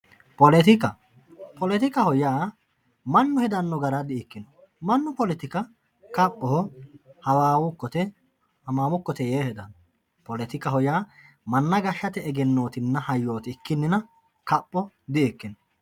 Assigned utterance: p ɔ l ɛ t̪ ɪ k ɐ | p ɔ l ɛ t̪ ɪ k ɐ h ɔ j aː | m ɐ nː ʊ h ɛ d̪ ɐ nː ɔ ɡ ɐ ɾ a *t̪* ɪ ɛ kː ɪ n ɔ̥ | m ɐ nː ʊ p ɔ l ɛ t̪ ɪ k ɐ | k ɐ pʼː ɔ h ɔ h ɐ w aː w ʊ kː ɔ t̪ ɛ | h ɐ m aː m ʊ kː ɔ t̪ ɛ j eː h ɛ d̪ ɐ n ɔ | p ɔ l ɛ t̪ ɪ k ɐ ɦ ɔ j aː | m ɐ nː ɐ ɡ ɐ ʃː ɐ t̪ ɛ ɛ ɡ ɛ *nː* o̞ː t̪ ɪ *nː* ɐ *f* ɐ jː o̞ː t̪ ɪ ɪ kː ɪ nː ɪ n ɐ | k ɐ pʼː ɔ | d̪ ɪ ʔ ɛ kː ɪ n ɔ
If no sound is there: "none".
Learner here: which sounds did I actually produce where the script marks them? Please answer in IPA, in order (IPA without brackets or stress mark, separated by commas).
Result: d̪, nː, nː, h